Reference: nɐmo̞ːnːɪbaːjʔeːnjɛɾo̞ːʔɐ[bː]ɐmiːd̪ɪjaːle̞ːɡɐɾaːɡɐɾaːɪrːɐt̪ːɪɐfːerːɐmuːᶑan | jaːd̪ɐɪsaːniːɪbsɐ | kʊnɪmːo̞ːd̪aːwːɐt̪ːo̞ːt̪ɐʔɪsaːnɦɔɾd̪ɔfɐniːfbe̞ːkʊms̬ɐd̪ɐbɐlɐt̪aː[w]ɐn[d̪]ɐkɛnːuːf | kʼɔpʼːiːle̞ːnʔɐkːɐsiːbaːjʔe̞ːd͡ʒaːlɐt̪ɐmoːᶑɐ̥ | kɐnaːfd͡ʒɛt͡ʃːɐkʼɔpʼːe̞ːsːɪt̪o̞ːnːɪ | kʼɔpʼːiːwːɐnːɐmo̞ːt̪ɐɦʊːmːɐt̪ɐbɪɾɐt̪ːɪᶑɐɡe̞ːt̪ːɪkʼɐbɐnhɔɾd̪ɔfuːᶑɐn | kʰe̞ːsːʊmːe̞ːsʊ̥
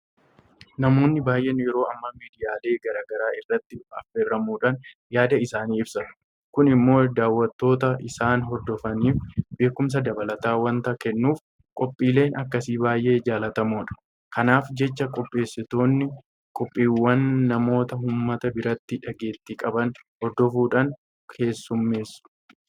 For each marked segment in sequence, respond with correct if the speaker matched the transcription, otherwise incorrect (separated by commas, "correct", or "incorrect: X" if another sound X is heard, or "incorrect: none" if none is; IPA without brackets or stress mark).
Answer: incorrect: mː, correct, incorrect: t̪